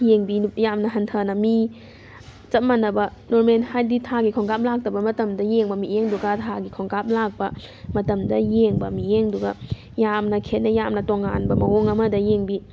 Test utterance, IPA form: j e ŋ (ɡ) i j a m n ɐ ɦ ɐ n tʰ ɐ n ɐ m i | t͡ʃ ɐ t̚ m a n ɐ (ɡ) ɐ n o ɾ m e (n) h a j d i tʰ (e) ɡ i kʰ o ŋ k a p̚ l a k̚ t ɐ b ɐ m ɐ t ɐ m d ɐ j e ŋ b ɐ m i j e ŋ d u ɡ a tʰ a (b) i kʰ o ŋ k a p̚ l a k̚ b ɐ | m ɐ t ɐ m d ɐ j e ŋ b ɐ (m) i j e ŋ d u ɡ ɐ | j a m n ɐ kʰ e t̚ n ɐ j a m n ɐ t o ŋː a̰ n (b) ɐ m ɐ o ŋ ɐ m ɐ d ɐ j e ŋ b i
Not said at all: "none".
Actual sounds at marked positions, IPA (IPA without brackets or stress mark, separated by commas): b, b, n, a, ɡ, m, b